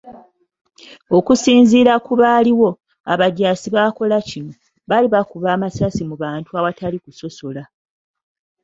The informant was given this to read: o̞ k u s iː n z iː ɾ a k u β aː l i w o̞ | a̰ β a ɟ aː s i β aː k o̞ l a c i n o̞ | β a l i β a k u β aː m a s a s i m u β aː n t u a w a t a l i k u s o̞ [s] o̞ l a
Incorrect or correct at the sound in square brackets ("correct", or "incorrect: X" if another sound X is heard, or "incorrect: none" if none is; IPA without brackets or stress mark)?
correct